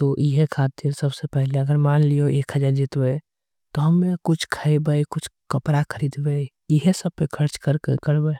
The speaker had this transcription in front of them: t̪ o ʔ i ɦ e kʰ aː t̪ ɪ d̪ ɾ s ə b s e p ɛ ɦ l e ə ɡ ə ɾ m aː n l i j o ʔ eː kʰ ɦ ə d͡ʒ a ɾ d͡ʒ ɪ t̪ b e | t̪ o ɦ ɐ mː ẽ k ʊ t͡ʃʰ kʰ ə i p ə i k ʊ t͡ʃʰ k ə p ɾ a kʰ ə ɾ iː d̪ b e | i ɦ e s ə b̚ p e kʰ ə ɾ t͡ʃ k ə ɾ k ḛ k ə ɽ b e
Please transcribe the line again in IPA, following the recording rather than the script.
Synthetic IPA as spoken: t̪ o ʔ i ɦ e kʰ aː t̪ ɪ ɾ s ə b s e p ɛ ɦ l e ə ɡ ə ɾ m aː n l i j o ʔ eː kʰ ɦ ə d͡ʒ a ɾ d͡ʒ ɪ t̪ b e | t̪ o ɦ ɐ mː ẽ k ʊ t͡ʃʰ kʰ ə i b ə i k ʊ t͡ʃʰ k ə p ɾ a kʰ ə ɾ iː d̪ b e | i ɦ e s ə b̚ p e kʰ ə ɾ t͡ʃ k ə ɾ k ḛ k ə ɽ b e